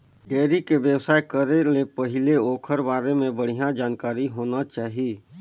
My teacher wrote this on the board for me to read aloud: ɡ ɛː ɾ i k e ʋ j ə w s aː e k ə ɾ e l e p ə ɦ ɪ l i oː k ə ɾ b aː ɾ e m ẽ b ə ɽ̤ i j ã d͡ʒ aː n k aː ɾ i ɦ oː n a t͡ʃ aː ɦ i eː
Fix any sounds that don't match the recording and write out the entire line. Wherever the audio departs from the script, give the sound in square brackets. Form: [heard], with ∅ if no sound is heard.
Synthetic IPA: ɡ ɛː ɾ i k e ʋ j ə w s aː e k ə ɾ e l e p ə ɦ ɪ l [e] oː [kʰ] ə ɾ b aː ɾ e m ẽ b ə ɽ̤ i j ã d͡ʒ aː n k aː ɾ i ɦ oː n a t͡ʃ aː ɦ i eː